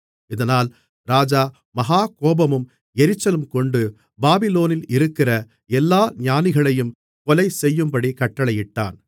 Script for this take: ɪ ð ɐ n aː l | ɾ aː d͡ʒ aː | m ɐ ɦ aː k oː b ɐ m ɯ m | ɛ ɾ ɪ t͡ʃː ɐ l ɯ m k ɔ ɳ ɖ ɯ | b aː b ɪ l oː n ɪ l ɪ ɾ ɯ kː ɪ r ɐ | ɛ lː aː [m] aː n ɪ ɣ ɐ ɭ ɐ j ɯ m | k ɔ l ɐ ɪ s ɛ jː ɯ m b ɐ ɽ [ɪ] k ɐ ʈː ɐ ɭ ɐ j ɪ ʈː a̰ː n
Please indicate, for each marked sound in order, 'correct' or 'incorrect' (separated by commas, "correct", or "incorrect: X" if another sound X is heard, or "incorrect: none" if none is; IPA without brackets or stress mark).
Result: incorrect: ɲ, incorrect: i